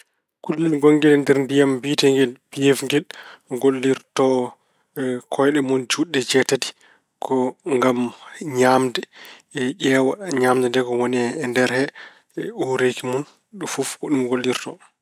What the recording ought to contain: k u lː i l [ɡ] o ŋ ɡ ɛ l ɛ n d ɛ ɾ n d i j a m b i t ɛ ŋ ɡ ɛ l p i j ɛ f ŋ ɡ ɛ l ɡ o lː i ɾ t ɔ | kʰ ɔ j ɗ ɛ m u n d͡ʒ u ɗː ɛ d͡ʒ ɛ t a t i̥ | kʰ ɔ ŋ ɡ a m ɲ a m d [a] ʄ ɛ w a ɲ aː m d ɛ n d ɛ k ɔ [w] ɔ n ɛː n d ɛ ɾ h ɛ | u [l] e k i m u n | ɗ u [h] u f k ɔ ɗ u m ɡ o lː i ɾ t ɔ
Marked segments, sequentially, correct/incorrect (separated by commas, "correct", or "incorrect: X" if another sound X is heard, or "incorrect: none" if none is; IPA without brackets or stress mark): correct, incorrect: ɛ, correct, incorrect: ɾ, incorrect: f